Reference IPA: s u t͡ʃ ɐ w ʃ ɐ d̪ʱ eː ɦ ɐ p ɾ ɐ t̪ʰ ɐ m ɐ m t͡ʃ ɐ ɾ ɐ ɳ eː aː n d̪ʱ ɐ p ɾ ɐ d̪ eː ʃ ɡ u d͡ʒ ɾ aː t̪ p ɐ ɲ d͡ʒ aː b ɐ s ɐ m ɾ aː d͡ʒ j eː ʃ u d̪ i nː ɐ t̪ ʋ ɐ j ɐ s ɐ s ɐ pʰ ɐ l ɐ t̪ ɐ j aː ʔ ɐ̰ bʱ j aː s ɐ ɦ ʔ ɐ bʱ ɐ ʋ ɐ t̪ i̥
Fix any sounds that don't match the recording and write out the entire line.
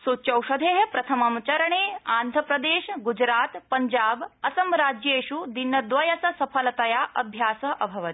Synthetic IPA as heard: s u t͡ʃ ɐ w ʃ ɐ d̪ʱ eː ɦ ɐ p ɾ ɐ t̪ʰ ɐ m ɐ m t͡ʃ ɐ ɾ ɐ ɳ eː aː n d̪ʱ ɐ p ɾ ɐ d̪ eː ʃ ɡ u d͡ʒ ɾ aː t̪ p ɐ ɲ d͡ʒ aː b ɐ s ɐ m ɾ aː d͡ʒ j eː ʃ u d̪ i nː ɐ d̪ ʋ ɐ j ɐ s ɐ s ɐ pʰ ɐ l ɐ t̪ ɐ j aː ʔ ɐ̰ bʱ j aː s ɐ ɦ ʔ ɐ bʱ ɐ ʋ ɐ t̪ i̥